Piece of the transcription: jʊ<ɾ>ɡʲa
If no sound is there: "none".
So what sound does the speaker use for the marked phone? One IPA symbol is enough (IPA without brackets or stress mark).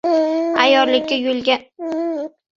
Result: l